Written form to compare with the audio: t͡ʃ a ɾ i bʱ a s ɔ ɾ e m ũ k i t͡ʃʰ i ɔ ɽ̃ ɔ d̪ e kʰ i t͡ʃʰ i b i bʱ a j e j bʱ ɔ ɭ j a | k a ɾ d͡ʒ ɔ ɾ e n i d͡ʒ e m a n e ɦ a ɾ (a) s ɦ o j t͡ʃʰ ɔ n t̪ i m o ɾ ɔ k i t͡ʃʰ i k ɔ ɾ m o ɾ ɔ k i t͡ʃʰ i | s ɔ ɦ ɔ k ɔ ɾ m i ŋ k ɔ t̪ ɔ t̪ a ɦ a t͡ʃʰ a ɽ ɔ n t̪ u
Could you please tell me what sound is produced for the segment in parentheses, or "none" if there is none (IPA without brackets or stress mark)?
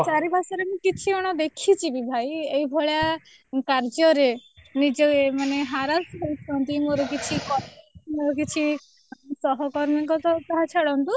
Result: a